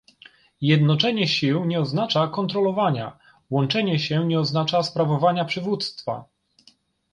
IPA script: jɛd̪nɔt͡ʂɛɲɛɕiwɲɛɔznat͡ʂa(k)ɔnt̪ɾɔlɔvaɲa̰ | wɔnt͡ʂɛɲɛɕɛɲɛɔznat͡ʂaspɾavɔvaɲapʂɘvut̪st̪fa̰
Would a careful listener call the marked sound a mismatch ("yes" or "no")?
no